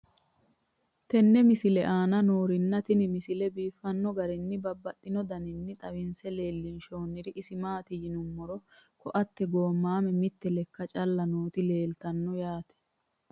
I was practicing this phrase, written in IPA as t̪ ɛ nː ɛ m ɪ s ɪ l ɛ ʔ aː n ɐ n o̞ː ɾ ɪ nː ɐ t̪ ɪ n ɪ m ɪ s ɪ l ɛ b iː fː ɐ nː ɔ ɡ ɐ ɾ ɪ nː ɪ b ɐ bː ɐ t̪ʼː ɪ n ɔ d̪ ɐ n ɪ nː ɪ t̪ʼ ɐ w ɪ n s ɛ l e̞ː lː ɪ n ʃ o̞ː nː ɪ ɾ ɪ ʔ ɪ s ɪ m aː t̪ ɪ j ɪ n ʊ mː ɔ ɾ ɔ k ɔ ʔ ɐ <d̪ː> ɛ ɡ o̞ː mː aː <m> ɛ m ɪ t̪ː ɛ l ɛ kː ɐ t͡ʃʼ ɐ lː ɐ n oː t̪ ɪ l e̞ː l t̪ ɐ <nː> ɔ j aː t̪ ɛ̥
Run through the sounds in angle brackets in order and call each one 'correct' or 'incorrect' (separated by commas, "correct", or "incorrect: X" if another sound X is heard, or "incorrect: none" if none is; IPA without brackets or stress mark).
incorrect: t̪ː, correct, correct